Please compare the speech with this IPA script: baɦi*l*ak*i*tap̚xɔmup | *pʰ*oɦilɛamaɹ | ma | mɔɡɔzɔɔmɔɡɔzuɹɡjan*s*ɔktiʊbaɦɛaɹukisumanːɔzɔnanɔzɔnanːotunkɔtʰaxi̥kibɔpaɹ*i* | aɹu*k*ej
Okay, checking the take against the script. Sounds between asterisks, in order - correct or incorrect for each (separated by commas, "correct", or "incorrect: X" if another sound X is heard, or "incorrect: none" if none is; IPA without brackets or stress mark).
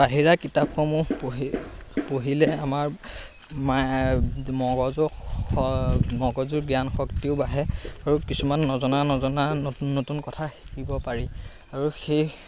incorrect: ɹ, correct, incorrect: p, incorrect: x, correct, incorrect: x